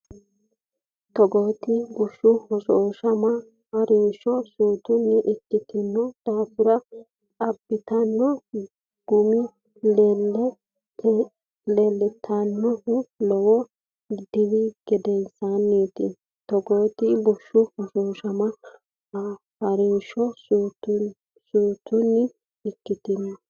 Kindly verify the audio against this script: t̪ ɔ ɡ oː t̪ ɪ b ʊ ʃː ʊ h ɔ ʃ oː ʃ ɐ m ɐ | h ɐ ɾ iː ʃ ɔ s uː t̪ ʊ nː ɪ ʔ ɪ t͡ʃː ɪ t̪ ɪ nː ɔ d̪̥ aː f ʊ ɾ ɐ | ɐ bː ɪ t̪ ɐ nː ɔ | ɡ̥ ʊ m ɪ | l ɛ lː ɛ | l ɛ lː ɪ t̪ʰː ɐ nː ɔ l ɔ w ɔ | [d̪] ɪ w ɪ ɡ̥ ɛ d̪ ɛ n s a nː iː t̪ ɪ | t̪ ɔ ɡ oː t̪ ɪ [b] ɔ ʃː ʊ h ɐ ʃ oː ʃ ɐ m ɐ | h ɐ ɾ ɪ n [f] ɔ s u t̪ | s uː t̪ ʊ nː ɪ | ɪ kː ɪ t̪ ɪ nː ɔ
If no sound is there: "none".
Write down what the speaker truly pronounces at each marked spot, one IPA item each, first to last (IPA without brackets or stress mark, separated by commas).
d̪, b, ʃ